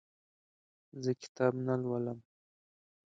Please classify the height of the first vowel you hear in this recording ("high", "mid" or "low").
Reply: mid